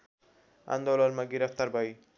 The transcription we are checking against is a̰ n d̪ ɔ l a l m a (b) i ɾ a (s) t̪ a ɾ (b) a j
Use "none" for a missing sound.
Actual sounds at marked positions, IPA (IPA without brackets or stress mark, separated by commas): ɡ, f, b